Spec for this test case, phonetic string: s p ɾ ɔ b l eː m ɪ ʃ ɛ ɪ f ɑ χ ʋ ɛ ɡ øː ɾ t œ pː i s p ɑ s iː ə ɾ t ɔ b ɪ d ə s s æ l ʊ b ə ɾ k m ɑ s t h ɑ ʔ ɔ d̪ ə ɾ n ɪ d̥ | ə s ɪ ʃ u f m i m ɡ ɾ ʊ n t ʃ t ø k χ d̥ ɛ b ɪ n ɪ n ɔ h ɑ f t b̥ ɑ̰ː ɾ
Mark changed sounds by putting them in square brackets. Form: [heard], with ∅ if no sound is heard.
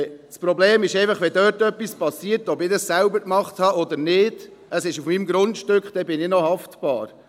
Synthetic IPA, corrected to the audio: s p ɾ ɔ b l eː m ɪ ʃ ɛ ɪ f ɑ χ ʋ ɛ [d] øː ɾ t œ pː i s p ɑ s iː ə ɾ t ɔ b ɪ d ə s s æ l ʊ b ə ɾ k m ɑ [χ] t h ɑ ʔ ɔ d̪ ə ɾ n ɪ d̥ | ə s ɪ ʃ u f m i m ɡ ɾ ʊ n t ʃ t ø k χ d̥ ɛ b ɪ n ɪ n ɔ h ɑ f t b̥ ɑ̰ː ɾ